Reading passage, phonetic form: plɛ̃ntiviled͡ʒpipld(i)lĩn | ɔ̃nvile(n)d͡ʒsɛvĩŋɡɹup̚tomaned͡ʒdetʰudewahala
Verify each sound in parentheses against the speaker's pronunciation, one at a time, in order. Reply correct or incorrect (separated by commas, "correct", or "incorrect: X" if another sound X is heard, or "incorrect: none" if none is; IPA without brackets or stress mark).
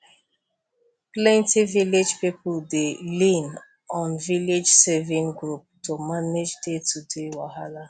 incorrect: e, incorrect: none